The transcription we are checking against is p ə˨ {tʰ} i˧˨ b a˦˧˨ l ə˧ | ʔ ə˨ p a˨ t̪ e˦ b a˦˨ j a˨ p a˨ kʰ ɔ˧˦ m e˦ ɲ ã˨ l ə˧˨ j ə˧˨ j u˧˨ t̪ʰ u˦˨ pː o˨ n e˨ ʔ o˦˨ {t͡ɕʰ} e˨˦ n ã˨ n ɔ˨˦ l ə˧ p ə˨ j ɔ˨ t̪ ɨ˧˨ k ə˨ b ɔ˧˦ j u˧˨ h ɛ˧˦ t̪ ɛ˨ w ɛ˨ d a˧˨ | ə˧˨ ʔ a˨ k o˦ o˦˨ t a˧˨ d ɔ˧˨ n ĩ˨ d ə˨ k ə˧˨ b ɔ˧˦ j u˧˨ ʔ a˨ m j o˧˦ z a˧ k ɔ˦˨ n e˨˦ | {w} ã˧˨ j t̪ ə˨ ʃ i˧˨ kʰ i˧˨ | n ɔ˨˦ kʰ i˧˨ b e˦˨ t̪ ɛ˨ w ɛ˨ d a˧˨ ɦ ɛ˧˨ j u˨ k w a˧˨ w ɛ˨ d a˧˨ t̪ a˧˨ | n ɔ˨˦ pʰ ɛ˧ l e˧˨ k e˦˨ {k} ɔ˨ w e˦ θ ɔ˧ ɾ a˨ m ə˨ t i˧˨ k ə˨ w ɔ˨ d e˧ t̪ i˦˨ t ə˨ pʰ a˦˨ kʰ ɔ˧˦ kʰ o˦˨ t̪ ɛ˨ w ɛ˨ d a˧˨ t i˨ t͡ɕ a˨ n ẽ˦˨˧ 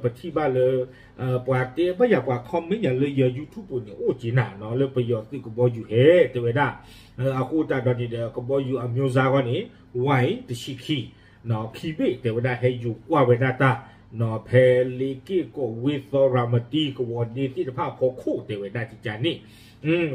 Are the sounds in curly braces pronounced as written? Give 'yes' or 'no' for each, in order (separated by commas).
yes, no, yes, yes